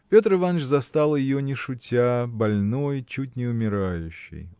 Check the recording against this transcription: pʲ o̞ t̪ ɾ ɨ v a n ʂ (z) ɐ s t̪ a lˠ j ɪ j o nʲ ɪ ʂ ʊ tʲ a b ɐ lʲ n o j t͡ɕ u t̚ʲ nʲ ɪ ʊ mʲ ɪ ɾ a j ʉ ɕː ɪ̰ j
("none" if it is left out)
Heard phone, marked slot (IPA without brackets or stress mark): z